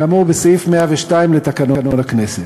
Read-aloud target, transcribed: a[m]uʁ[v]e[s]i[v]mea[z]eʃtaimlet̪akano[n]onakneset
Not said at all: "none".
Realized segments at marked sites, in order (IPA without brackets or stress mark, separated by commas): m, b, s, f, v, n